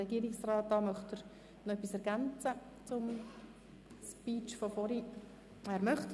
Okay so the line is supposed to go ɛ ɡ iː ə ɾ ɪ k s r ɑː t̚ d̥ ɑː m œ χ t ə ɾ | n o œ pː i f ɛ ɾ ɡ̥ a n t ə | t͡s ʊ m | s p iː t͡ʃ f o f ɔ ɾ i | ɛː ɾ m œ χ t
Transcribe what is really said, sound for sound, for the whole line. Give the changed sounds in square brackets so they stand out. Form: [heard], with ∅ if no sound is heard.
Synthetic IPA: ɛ ɡ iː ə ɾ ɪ k s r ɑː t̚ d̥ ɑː m œ χ t ə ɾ | n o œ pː i [s] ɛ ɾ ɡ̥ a n [t͡s] ə | t͡s ʊ m | s p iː t͡ʃ f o f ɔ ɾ i | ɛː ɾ m œ χ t